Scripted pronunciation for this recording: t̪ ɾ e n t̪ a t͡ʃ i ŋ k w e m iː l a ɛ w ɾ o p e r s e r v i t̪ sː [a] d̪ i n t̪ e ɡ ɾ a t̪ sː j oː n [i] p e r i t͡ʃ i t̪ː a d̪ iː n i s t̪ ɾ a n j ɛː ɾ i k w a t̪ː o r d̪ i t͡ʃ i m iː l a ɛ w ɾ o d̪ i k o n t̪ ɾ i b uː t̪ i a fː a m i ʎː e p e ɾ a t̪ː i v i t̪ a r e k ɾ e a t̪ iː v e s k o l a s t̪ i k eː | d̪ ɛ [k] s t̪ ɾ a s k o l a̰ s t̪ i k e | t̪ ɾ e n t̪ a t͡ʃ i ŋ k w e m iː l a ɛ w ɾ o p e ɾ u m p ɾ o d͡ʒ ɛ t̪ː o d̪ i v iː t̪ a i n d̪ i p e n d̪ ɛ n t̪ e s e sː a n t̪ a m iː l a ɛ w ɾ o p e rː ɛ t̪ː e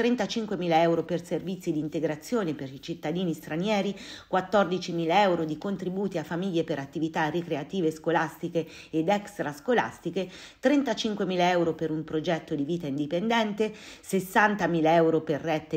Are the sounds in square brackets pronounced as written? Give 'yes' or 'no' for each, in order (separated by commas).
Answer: no, no, yes